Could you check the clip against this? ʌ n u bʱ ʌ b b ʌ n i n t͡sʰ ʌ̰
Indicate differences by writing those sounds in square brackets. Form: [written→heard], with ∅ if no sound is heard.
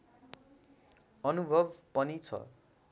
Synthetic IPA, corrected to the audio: ʌ n u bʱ ʌ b [b→p] ʌ n i [n→∅] t͡sʰ ʌ̰